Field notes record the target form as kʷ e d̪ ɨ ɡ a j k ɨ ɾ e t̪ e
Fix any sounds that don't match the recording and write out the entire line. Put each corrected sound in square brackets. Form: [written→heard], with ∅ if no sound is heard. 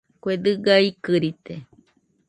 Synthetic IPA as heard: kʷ e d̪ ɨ ɡ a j k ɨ ɾ [e→i] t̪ e